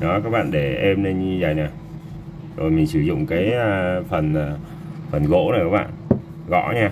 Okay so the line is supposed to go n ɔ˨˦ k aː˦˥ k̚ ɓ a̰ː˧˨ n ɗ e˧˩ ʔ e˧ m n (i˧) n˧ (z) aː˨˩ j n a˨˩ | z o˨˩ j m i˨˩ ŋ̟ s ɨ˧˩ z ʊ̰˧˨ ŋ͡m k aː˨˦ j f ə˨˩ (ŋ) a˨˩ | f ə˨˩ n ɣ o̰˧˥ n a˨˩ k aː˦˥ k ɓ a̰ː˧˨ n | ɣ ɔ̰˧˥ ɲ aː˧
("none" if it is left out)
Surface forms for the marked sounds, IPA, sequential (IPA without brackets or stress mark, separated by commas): e˧, z, n